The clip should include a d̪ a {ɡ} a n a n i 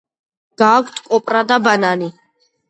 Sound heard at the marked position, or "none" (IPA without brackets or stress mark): b